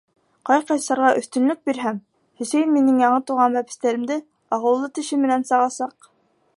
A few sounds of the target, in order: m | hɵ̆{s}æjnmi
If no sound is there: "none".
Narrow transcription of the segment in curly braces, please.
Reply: s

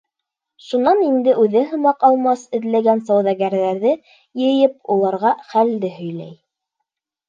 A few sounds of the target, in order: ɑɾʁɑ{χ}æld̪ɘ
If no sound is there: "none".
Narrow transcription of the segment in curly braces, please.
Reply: χ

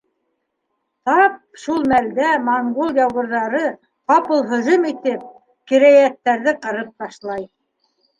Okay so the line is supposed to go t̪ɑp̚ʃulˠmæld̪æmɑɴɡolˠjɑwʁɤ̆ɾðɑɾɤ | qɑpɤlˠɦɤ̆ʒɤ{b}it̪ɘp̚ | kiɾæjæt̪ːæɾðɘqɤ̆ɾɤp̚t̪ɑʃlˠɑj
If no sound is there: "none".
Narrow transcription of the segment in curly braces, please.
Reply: m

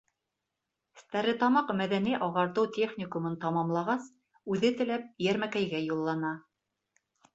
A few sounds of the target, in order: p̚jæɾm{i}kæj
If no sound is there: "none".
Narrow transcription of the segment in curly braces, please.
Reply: æ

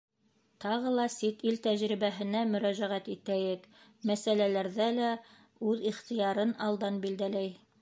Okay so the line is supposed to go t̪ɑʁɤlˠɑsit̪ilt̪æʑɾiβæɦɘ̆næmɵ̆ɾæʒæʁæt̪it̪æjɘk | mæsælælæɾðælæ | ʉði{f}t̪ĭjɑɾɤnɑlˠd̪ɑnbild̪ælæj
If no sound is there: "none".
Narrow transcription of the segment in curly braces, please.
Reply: χ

